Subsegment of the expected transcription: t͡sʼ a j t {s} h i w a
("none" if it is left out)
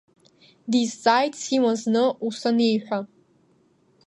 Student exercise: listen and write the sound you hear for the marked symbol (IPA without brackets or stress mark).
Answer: s